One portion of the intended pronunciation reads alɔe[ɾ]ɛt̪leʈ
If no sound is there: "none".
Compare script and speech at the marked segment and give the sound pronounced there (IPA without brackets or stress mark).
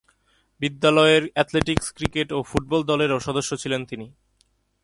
ɾ